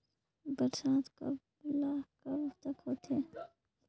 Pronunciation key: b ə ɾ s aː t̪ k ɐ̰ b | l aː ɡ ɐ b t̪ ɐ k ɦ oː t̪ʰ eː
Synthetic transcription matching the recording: b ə ɾ s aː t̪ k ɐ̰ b | l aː k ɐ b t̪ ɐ k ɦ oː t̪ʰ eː